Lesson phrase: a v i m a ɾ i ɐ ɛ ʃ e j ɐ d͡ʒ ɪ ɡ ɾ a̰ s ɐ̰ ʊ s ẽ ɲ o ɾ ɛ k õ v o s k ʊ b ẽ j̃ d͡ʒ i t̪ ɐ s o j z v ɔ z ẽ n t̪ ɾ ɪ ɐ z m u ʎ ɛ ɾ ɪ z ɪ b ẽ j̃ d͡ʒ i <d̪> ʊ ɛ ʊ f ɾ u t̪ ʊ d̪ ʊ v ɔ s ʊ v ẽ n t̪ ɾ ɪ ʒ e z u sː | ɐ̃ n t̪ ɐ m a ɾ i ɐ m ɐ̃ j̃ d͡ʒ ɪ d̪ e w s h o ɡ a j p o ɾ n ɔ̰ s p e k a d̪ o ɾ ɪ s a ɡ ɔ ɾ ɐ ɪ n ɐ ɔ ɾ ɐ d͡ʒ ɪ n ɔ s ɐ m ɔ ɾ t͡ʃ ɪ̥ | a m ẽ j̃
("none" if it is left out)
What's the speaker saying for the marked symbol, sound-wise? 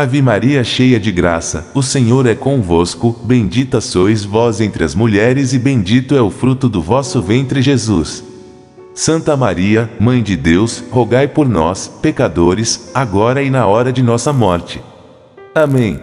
t̪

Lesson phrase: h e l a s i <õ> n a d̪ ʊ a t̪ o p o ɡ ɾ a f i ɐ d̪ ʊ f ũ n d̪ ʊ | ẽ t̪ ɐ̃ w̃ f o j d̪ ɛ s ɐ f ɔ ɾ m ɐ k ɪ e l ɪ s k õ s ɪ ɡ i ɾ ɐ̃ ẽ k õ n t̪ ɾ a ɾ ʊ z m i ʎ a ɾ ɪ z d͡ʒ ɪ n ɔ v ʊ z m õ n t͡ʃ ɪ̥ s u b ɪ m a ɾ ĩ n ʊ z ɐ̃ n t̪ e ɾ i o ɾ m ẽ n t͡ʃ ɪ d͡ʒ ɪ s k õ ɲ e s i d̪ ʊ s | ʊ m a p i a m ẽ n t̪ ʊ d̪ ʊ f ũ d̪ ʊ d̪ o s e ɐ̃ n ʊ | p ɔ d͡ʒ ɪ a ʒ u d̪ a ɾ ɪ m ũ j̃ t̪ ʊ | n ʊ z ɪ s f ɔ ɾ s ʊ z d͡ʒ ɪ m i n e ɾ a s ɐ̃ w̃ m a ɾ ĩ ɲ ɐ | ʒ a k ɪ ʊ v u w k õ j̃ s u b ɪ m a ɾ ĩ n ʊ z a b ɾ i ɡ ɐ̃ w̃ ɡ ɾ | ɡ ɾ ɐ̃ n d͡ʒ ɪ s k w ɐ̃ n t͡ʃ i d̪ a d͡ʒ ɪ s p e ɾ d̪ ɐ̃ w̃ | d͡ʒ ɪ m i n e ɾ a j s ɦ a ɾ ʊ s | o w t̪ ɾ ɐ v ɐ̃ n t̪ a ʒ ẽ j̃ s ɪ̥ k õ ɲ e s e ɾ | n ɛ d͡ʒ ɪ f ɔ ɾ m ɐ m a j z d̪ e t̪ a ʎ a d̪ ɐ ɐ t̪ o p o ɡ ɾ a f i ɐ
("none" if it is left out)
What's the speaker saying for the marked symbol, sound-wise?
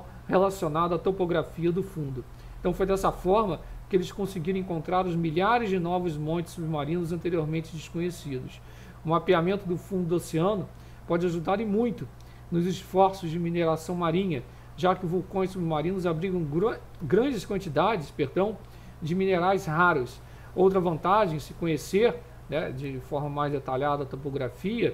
o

